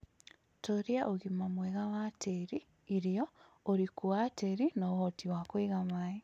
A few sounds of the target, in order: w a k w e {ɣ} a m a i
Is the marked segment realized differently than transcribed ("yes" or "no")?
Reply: no